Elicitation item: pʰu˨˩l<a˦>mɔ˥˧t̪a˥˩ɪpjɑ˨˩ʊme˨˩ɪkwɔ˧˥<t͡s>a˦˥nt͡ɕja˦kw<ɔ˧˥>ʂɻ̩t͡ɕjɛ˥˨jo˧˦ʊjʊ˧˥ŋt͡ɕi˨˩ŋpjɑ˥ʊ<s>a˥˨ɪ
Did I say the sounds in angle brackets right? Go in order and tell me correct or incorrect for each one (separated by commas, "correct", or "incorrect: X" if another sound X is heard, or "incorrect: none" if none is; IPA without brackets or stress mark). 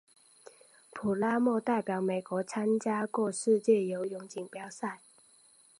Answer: correct, incorrect: t͡sʰ, incorrect: ɔ˥˧, correct